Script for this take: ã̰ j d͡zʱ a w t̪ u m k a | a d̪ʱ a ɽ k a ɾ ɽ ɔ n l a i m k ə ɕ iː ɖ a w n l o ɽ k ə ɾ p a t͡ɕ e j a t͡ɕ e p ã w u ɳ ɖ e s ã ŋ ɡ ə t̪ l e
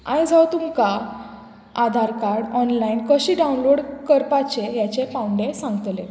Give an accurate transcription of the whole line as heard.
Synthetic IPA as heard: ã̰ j d͡zʱ a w t̪ u m k a | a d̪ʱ a ɾ k a ɾ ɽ ɔ n l a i n k ə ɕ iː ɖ a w n l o ɽ k ə ɾ p a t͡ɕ e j a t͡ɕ e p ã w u ɳ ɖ e s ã ŋ ɡ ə t̪ l e